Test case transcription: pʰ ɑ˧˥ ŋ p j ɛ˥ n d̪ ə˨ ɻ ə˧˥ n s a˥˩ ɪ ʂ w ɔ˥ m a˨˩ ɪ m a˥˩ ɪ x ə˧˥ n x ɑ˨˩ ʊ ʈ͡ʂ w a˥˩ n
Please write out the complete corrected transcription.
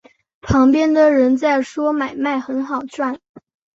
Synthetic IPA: pʰ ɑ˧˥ ŋ p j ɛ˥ n d̪ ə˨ ɻ ə˧˥ n t͡s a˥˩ ɪ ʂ w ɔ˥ m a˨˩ ɪ m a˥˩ ɪ x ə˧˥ n x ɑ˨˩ ʊ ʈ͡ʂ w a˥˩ n